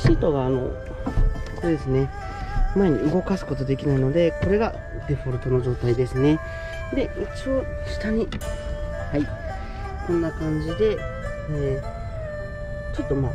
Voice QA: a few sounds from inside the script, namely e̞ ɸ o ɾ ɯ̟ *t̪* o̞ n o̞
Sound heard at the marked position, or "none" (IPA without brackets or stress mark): t̪